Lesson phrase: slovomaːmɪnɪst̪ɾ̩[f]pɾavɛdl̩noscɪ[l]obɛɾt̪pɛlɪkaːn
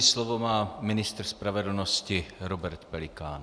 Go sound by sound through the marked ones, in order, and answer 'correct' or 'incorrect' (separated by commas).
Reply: incorrect, incorrect